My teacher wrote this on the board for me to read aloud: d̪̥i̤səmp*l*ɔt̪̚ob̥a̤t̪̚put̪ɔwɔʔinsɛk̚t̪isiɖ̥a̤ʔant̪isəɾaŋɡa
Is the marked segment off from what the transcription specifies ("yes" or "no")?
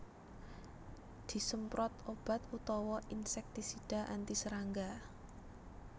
yes